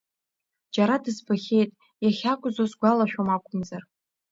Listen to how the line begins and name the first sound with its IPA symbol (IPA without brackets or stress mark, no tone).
d͡ʒ